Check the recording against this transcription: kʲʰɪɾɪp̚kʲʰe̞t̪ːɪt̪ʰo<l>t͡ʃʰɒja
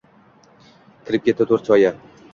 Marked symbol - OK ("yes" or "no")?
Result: no